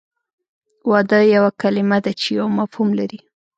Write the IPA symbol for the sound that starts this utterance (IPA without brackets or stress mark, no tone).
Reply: w